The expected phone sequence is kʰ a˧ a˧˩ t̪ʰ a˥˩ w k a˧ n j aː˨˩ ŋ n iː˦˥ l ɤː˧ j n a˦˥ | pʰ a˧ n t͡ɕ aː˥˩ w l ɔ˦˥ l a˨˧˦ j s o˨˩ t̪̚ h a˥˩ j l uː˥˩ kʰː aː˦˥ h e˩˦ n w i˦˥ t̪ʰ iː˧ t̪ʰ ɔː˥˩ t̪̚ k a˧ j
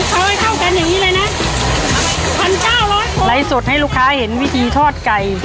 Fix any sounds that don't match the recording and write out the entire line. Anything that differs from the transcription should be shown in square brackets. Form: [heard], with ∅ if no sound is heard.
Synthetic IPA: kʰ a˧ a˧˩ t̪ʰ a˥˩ w k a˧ n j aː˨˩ ŋ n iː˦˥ l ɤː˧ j n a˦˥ | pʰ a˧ n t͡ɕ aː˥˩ w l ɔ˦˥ l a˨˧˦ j s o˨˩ t̪̚ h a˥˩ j l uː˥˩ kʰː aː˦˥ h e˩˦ n w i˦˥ t̪ʰ iː˧ t̪ʰ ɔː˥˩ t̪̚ k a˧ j